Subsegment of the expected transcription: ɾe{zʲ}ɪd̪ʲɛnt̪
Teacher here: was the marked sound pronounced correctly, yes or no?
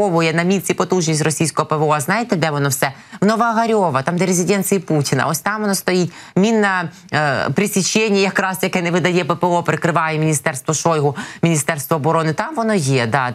yes